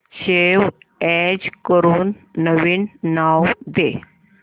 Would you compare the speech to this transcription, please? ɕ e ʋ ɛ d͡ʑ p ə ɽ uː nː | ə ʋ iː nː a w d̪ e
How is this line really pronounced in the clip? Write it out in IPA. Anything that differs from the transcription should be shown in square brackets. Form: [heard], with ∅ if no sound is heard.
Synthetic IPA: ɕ e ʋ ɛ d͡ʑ [k] ə [ɾ] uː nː | ə ʋ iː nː a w d̪ e